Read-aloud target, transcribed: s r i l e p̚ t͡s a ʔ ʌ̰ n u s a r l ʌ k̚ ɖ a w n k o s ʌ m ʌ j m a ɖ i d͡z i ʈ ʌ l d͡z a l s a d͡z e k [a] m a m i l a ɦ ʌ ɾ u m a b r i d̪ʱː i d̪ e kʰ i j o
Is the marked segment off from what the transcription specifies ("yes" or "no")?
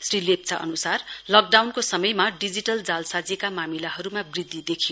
no